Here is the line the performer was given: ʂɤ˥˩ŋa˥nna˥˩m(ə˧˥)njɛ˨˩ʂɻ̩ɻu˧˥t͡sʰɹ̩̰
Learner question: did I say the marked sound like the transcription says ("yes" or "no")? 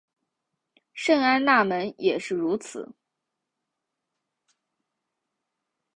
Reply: yes